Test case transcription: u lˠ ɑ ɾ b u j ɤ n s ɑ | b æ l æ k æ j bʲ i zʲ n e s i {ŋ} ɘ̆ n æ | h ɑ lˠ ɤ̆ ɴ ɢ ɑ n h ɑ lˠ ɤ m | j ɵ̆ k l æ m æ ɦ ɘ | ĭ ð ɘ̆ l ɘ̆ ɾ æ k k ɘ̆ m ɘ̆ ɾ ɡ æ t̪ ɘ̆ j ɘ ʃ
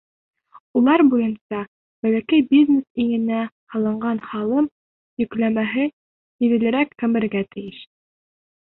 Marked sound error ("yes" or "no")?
no